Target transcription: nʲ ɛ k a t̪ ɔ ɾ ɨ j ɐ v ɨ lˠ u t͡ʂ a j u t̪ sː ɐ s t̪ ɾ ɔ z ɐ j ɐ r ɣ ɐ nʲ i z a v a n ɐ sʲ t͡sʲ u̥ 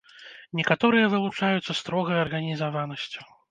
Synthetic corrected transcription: nʲ ɛ k a t̪ ɔ ɾ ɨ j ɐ v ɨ lˠ u t͡ʂ a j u t̪ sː ɐ s t̪ ɾ ɔ ɣ ɐ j ɐ r ɣ ɐ nʲ i z a v a n ɐ sʲ t͡sʲ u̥